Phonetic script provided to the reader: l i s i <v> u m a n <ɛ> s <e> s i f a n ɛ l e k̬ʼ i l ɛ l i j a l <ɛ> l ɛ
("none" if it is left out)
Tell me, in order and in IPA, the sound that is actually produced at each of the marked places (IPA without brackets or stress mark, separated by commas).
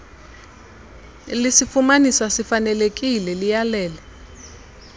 f, i, a, ɛː